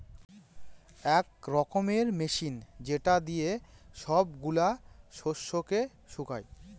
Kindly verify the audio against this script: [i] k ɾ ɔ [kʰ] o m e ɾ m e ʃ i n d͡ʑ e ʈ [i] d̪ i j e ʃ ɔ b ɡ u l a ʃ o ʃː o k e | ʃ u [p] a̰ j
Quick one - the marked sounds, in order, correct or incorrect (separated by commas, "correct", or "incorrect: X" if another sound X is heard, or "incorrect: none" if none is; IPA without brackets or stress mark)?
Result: incorrect: ɛ, incorrect: k, incorrect: a, incorrect: k